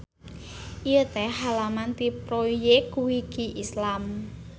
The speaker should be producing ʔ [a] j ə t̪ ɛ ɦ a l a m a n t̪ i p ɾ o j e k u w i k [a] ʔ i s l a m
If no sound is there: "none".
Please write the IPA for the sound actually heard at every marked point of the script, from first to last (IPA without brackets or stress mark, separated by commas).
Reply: i, i